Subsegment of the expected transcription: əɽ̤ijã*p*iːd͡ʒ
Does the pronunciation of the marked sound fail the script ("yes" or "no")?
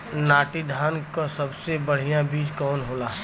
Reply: yes